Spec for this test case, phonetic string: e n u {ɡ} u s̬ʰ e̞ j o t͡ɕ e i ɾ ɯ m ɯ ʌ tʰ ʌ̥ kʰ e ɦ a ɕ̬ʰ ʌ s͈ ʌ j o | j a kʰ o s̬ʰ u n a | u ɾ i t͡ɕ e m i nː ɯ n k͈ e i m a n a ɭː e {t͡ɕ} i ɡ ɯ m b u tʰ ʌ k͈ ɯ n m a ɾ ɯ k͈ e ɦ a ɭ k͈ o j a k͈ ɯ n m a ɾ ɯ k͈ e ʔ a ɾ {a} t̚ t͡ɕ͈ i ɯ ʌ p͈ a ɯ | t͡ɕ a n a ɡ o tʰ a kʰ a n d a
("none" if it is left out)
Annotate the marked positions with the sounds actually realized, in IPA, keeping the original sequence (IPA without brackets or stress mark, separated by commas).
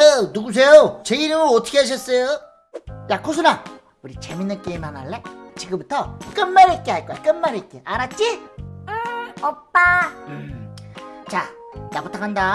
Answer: ɡ, t͡ɕ, a